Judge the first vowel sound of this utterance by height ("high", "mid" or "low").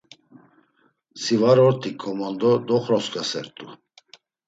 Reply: high